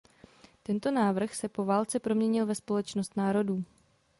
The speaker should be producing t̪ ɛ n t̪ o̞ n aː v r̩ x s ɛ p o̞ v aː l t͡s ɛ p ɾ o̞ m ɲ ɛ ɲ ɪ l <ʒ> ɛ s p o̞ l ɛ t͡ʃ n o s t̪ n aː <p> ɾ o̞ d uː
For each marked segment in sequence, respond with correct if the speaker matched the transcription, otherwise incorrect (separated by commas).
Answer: incorrect, incorrect